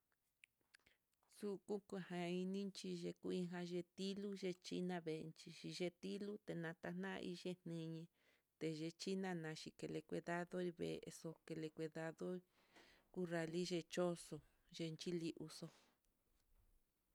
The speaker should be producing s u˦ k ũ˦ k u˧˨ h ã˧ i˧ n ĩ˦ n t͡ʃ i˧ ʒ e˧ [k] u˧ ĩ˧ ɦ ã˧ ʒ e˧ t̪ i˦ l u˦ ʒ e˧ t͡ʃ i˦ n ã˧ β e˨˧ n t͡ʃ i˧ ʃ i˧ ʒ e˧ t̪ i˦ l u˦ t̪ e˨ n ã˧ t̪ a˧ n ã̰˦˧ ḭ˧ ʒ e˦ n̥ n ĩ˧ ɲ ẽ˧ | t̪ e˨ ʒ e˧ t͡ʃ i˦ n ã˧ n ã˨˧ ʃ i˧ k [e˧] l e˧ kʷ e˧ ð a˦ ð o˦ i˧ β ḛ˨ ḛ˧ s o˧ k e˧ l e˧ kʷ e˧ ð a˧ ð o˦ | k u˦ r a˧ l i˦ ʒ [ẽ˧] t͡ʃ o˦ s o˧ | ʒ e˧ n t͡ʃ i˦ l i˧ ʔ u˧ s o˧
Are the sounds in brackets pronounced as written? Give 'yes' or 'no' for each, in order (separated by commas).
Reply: yes, yes, no